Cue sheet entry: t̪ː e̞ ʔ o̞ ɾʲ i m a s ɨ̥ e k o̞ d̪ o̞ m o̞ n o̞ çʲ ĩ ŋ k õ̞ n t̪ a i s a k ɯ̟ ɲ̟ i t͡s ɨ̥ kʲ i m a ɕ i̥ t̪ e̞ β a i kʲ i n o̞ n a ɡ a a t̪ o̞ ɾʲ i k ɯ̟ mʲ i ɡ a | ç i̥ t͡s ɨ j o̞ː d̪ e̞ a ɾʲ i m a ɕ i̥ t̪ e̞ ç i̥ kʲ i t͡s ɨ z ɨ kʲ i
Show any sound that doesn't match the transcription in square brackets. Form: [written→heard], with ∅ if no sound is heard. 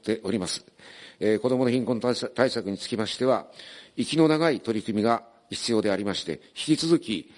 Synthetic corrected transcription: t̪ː e̞ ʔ o̞ ɾʲ i m a s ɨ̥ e k o̞ d̪ o̞ m o̞ n o̞ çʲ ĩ ŋ k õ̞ n t̪ a i s a k ɯ̟ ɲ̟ i t͡s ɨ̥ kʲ i m a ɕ i̥ t̪ e̞ β a i kʲ i n o̞ n a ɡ a [a→i] t̪ o̞ ɾʲ i k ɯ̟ mʲ i ɡ a | ç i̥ t͡s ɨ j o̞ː d̪ e̞ a ɾʲ i m a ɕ i̥ t̪ e̞ ç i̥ kʲ i t͡s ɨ z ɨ kʲ i